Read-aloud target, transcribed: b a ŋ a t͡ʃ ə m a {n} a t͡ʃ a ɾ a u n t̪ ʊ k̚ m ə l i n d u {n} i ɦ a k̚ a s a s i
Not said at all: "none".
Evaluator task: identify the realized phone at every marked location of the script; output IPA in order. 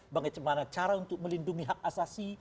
n, ŋ

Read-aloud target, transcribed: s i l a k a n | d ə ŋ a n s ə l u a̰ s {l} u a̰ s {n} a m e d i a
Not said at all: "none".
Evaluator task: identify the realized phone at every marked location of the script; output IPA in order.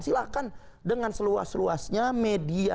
l, ɲ

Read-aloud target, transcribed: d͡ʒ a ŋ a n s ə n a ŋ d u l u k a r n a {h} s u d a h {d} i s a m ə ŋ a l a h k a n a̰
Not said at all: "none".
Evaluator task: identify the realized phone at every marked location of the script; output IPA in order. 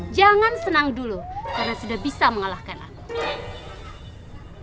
none, b

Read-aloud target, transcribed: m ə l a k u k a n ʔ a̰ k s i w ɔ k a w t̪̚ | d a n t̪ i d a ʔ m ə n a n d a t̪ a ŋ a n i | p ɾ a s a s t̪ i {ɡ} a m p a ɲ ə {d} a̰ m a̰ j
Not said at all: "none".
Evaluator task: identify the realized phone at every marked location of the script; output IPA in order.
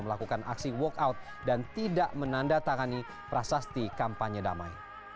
k, d

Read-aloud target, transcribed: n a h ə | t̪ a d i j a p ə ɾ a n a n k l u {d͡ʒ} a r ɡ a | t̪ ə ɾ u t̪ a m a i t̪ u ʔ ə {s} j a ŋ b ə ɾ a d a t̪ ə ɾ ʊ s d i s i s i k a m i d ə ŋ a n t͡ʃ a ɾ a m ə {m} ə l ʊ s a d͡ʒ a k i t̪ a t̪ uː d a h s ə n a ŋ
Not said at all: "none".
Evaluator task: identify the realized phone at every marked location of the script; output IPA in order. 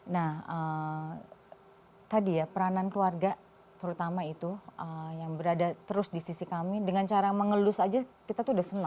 none, none, ŋ

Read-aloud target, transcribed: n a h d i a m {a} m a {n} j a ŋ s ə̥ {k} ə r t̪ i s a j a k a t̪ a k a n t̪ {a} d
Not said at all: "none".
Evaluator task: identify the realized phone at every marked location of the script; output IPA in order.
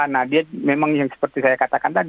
e, ŋ, p, a

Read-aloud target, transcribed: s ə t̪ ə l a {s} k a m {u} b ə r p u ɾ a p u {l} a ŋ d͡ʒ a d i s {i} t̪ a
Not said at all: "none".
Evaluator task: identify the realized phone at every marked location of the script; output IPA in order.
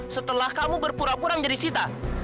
h, u, ɾ, i

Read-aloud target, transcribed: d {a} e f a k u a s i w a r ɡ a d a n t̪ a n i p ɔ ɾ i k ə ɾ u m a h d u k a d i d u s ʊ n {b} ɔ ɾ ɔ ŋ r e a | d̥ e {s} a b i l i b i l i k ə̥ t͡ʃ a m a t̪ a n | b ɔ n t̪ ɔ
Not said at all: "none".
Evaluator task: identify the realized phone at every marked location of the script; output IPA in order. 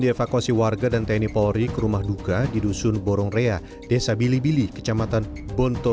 i, b, s

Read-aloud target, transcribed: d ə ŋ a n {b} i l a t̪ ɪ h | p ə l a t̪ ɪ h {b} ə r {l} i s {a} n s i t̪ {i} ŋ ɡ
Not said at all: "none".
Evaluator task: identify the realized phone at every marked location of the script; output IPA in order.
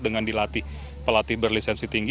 d, b, l, ɛ, i

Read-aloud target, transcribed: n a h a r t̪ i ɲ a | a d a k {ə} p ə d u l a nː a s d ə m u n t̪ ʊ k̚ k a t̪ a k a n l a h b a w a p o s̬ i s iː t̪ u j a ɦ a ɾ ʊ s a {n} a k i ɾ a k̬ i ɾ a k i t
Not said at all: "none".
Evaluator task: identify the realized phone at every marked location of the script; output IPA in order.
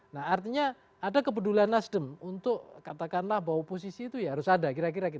ə, d

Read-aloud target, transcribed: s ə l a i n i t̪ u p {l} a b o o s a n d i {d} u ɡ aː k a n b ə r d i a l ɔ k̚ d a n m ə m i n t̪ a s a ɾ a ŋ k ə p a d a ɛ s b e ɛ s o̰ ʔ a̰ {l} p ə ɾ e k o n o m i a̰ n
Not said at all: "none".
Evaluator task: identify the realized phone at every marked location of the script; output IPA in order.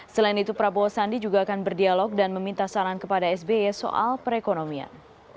ɾ, d͡ʒ, l

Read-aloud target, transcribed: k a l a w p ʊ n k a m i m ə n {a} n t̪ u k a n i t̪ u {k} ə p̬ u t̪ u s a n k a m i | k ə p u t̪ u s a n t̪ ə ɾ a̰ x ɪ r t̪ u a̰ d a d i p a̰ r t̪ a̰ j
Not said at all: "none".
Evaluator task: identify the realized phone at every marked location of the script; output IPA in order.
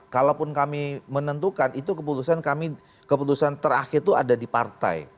ə, k

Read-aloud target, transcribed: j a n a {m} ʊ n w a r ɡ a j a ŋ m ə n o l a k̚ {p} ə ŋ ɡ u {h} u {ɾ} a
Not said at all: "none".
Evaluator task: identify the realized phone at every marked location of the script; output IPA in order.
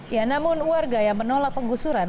m, p, s, ɾ

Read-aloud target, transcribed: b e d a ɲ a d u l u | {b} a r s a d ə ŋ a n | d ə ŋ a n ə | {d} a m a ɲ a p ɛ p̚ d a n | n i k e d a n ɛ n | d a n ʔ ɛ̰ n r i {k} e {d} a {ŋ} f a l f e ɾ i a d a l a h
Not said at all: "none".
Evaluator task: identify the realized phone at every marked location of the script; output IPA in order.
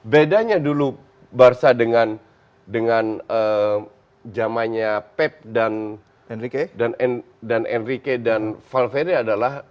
b, d͡ʒ, k, d, n

